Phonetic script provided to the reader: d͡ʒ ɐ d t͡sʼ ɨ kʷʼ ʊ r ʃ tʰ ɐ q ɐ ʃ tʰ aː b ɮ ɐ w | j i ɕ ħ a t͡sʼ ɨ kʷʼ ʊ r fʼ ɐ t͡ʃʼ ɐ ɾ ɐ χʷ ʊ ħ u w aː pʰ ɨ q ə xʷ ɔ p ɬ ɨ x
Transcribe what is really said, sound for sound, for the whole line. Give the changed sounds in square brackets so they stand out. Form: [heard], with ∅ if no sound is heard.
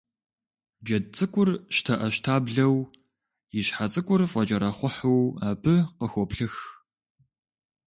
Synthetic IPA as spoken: d͡ʒ ɐ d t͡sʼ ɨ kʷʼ ʊ r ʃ tʰ ɐ [ʔ] ɐ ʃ tʰ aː b ɮ ɐ w | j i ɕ ħ a t͡sʼ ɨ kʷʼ ʊ r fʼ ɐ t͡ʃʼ ɐ ɾ ɐ χʷ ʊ ħ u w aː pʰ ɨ q ə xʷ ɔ p ɬ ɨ x